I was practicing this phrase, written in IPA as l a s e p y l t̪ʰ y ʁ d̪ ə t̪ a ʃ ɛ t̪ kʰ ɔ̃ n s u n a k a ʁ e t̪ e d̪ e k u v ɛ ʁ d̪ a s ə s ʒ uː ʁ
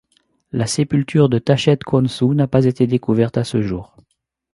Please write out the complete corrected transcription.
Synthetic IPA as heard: l a s e p y l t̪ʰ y ʁ d̪ ə t̪ a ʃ ɛ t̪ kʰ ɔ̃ n s u n a p a z e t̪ e d̪ e k u v ɛ ʁ t̪ a s ə ʒ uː ʁ